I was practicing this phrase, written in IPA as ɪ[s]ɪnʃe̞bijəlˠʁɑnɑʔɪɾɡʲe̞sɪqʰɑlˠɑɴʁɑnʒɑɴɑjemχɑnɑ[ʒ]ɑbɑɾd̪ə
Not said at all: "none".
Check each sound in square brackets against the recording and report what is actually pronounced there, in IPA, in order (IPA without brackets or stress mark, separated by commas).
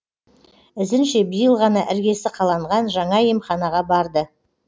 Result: z, ʁ